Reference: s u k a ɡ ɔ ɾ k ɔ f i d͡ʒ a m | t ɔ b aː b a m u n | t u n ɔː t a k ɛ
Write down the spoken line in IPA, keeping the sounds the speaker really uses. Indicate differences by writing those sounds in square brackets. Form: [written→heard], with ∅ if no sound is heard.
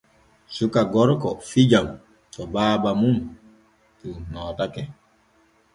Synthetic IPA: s u k a ɡ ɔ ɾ k ɔ f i d͡ʒ a m | t ɔ b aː b a m u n | t u n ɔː t a k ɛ